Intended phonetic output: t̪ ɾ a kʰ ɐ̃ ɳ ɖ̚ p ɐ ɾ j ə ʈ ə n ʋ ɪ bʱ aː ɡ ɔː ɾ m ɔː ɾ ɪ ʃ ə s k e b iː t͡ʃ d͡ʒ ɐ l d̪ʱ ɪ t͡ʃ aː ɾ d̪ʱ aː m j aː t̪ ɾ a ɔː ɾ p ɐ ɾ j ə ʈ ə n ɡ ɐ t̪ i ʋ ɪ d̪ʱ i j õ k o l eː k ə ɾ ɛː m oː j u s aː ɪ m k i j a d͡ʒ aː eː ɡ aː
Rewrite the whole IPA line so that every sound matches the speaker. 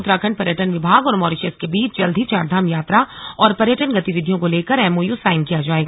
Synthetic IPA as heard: t̪ ɾ a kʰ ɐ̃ ɳ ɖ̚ p ɐ ɾ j ə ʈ ə n ʋ ɪ bʱ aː ɡ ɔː ɾ m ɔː ɾ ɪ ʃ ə s k e b iː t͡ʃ d͡ʒ ɐ l d̪ʱ i t͡ʃ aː ɾ d̪ʱ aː m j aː t̪ ɾ a ɔː ɾ p ɐ ɾ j ə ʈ ə n ɡ ɐ t̪ i ʋ ɪ d̪ʱ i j õ k o l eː k ə ɾ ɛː m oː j u s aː ɪ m k i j a d͡ʒ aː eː ɡ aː

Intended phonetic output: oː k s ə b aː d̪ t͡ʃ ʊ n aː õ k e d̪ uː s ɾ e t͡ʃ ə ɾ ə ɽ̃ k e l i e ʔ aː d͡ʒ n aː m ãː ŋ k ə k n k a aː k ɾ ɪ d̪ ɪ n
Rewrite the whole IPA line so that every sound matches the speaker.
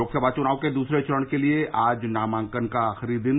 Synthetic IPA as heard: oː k s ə b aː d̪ t͡ʃ ʊ n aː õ k e d̪ uː s ɾ e t͡ʃ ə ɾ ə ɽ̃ k e l i e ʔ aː d͡ʒ n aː m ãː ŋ k ə n k a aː x ɾ i d̪ ɪ n

